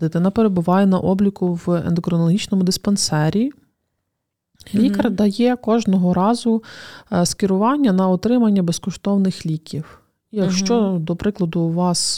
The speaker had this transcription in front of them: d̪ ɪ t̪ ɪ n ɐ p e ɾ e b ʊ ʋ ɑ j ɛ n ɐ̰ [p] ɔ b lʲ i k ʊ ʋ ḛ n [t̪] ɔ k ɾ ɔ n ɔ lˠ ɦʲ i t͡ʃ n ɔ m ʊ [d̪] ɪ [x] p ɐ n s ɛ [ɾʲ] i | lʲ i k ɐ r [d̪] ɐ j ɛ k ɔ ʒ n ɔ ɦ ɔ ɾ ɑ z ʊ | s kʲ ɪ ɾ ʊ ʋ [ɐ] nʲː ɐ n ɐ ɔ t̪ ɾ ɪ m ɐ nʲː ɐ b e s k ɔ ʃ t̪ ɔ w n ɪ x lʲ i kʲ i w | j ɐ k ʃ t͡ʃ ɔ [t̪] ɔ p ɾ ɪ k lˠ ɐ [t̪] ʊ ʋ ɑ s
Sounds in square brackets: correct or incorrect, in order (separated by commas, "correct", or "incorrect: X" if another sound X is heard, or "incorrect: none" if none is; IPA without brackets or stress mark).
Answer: incorrect: ʔ, incorrect: d̪, correct, incorrect: s, correct, correct, incorrect: ɑ, incorrect: d̪, incorrect: d̪